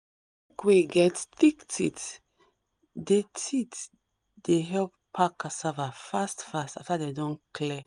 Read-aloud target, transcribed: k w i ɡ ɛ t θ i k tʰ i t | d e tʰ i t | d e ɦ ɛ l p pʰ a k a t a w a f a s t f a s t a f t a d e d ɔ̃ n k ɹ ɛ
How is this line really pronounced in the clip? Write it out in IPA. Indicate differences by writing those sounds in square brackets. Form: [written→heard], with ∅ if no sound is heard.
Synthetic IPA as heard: k w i ɡ ɛ t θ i k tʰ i t | d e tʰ i t | d e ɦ ɛ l p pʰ a k a [t→s] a [w→v] a f a s t f a s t a f t a d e d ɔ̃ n k [ɹ→l] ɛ